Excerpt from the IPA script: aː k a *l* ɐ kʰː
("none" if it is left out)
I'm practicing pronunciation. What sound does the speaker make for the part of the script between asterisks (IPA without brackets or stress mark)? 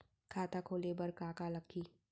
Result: l